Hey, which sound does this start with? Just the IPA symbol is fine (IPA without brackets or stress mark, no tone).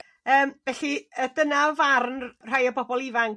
əː